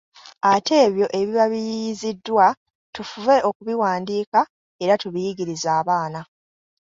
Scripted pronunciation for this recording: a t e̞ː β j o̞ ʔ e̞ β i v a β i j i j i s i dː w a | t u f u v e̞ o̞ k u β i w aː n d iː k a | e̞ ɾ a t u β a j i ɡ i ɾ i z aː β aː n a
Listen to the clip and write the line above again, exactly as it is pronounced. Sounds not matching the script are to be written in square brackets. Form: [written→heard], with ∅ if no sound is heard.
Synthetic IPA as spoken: a t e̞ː β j o̞ ʔ e̞ β i [v→β] a β i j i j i [s→z] i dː w a | t u f u v e̞ o̞ k u β i w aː n d iː k a | e̞ ɾ a t u β [a→i] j i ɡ i ɾ i z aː β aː n a